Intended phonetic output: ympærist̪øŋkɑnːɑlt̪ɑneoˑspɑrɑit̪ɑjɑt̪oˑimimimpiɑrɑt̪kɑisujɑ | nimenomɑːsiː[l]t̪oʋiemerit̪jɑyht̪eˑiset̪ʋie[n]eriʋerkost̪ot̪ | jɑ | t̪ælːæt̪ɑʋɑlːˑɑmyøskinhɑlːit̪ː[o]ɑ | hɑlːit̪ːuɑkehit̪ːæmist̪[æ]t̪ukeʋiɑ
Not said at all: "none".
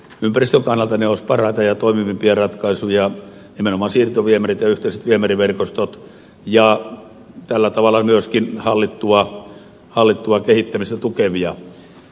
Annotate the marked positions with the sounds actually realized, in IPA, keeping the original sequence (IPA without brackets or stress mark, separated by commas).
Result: r, m, u, æ